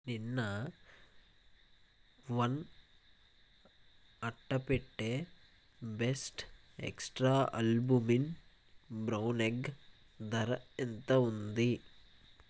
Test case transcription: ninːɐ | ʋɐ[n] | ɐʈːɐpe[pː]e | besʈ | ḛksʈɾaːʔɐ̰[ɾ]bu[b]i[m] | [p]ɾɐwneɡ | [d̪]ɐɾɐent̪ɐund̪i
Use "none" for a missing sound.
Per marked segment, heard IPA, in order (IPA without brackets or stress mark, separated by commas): n, ʈː, l, m, n, b, d̪